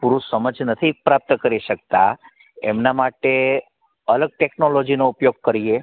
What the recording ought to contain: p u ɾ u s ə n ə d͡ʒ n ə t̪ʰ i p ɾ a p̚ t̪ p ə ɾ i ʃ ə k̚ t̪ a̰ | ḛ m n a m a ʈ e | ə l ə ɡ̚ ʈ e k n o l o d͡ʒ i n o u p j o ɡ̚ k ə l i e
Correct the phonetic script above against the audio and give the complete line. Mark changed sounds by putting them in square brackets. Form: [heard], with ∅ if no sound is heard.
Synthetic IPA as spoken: p u ɾ u s ə [m] ə d͡ʒ n ə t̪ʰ i p ɾ a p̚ t̪ [k] ə ɾ i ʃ ə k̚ t̪ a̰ | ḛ m n a m a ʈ e | ə l ə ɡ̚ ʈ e k n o l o d͡ʒ i n o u p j o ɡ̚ k ə [ɾ] i e